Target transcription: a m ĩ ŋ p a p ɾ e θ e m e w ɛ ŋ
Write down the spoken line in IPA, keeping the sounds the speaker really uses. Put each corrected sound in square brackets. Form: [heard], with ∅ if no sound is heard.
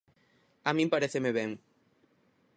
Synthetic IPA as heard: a m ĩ [m] p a [∅] ɾ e θ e m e [β] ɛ ŋ